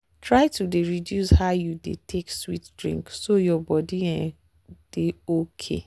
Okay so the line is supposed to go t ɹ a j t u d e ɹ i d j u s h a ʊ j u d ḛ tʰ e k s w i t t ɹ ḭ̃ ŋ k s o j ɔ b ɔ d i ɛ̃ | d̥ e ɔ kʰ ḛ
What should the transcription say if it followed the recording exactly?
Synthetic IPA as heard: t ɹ a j t u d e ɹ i d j u s h a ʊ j u d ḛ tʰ e k s w i t d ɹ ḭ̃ ŋ k s o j ɔ b ɔ d i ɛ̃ | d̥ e o kʰ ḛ